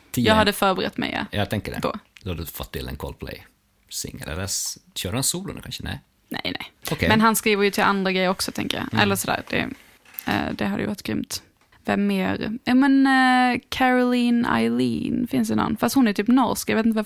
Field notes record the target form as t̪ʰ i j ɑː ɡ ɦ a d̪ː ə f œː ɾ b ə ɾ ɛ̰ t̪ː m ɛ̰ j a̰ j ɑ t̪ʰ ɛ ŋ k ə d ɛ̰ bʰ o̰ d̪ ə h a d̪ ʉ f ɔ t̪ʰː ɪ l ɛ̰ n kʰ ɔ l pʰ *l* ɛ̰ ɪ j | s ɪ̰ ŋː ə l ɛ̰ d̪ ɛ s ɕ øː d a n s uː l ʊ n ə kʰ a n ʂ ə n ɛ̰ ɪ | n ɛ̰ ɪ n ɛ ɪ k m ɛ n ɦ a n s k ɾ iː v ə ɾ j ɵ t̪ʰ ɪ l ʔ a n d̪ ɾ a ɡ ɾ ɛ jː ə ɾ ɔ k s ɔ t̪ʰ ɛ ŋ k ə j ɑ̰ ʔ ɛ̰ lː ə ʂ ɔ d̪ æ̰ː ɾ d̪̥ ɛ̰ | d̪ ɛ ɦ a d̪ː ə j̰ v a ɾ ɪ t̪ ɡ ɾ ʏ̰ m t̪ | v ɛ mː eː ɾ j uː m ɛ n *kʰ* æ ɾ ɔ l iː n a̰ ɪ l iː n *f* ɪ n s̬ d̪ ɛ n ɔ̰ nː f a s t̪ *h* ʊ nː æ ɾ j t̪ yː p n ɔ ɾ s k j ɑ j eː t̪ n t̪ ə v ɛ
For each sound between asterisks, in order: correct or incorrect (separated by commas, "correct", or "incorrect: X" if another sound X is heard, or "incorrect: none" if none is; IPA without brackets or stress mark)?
correct, correct, correct, correct